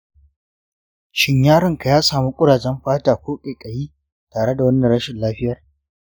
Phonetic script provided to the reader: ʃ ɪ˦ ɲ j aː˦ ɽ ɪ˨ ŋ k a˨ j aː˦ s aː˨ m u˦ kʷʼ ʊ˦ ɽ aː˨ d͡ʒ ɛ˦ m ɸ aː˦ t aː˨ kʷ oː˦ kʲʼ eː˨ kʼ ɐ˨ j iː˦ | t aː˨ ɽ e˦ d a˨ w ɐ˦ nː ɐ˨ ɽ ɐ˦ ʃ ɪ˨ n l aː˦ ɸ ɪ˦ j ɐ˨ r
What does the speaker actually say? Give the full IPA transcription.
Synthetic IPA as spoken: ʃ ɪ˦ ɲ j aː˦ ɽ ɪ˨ ŋ k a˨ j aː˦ s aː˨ m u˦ kʷʼ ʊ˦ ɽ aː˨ d͡ʒ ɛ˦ m ɸ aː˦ t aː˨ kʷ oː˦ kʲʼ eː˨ kʼ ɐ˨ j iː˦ | t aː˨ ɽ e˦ d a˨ w ɐ˦ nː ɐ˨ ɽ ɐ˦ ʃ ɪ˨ n l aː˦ ɸ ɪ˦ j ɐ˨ r